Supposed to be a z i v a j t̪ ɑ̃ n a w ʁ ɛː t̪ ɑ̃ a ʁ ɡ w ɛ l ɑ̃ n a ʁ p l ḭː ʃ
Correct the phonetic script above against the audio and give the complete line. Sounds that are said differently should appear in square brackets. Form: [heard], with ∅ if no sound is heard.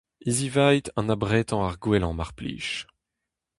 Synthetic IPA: [i] z i v a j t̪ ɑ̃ n a [b] ʁ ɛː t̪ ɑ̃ a ʁ ɡ w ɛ l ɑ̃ [m] a ʁ p l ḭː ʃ